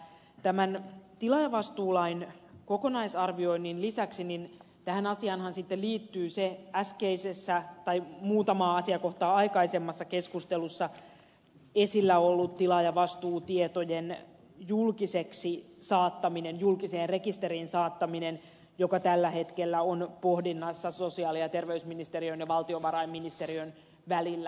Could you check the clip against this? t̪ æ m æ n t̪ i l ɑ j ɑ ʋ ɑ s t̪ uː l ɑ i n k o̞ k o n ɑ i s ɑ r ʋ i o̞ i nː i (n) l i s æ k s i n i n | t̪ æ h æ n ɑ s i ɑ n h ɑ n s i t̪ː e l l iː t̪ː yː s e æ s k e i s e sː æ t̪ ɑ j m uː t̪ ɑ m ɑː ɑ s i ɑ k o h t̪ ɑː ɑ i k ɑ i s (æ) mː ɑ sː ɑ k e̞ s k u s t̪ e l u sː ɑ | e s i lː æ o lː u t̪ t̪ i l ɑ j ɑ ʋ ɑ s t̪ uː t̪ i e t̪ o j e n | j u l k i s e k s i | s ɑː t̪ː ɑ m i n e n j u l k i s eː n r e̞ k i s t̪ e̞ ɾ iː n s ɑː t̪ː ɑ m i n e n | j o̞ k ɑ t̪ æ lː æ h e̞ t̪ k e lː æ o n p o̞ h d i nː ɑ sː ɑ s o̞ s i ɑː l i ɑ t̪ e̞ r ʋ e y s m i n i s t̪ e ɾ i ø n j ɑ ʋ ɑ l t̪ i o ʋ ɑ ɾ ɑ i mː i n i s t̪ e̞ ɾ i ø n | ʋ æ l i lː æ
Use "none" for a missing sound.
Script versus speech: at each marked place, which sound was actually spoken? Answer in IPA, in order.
n, e

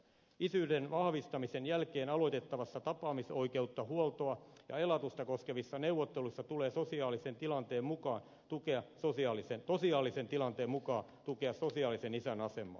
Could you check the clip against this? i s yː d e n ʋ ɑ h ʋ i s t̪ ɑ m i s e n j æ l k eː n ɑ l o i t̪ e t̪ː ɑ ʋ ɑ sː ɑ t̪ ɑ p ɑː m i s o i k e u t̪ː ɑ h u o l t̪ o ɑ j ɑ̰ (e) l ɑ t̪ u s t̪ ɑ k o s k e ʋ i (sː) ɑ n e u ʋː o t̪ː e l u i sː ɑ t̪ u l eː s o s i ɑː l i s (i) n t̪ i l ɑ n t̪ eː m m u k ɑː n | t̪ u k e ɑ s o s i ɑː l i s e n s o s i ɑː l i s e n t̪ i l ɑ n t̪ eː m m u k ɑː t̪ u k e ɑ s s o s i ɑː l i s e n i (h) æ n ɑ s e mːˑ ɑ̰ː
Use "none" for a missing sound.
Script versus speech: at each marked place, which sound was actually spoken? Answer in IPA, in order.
e, sː, e, s

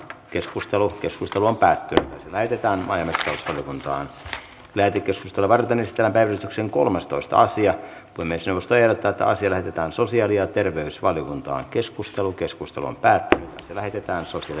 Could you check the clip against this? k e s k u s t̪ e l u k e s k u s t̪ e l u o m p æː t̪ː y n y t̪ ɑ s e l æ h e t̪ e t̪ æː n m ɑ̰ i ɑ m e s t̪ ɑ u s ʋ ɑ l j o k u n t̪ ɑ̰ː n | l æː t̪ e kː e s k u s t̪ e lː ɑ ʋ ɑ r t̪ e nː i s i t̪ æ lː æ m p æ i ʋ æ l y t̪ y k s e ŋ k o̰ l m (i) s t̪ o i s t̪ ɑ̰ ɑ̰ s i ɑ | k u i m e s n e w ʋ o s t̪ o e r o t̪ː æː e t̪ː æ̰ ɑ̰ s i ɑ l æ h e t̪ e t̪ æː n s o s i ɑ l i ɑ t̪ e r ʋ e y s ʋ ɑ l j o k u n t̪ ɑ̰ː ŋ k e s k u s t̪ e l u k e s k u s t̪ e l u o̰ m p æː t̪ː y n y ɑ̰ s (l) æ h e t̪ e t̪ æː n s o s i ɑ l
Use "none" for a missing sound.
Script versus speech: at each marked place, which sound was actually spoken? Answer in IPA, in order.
e, l

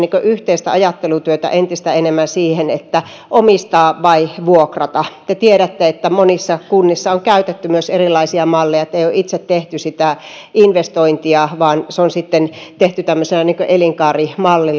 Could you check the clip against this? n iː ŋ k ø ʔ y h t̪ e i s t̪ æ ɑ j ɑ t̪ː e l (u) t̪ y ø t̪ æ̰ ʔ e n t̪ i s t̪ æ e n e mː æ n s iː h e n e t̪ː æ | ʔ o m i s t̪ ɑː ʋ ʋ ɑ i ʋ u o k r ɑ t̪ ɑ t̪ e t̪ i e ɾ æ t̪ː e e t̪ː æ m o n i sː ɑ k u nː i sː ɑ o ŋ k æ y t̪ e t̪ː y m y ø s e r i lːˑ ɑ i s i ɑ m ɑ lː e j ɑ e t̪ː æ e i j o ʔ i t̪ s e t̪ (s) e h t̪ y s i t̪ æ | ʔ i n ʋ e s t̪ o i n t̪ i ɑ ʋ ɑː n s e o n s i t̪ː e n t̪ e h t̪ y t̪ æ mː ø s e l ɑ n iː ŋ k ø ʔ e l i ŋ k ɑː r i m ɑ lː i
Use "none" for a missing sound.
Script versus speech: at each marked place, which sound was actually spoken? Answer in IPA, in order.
u, t

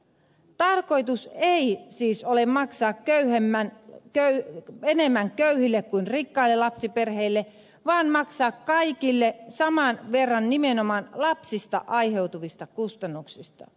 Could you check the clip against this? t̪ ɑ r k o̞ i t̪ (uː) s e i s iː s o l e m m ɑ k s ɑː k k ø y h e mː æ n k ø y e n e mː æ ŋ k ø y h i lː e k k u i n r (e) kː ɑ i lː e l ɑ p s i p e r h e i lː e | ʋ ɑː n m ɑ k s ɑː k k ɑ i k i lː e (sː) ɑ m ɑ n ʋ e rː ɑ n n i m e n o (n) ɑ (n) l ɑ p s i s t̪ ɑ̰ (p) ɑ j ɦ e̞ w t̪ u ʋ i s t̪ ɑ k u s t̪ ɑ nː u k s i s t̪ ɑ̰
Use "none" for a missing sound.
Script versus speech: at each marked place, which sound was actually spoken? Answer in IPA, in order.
u, i, s, m, n, ʔ

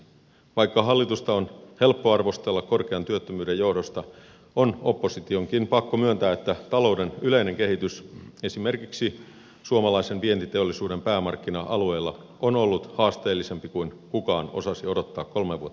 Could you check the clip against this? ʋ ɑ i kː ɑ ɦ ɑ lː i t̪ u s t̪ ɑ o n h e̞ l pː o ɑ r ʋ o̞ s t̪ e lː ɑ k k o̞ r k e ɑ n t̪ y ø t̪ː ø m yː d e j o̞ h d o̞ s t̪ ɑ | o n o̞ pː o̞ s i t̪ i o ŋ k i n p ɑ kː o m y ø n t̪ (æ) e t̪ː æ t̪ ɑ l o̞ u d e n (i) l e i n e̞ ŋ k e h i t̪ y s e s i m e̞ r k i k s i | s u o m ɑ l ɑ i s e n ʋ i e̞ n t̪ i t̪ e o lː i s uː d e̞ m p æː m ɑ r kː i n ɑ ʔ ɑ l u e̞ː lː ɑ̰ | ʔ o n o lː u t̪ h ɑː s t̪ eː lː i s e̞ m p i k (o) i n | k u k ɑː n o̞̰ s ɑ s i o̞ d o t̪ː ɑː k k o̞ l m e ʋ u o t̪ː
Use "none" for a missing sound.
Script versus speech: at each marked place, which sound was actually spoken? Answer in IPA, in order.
æː, y, u

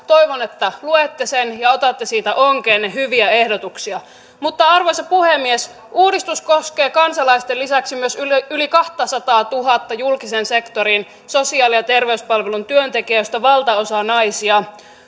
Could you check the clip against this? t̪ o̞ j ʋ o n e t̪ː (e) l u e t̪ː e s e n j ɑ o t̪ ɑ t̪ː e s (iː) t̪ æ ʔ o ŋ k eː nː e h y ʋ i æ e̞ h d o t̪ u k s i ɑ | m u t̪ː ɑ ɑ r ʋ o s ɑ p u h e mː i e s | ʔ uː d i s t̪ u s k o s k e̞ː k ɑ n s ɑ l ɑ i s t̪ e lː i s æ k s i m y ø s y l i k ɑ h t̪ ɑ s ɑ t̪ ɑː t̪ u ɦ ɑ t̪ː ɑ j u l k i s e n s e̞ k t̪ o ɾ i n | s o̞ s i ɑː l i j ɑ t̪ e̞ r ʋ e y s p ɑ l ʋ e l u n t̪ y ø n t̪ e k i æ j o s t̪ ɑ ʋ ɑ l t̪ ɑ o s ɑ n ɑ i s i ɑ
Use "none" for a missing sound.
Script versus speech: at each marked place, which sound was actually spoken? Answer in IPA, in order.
æ, iː

